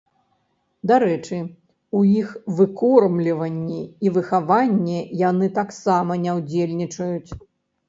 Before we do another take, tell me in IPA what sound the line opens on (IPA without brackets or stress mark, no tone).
d̪